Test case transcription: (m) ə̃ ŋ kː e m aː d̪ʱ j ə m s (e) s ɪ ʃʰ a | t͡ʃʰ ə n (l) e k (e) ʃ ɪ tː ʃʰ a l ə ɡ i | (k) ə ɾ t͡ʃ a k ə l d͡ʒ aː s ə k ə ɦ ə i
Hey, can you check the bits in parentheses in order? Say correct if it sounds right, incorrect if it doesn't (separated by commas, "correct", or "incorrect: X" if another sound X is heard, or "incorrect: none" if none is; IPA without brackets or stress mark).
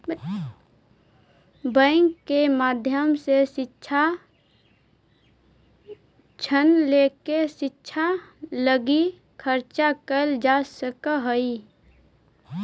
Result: incorrect: b, correct, correct, correct, incorrect: kʰ